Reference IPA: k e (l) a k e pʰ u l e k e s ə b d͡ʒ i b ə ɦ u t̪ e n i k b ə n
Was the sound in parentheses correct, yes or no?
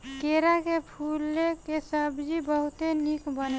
no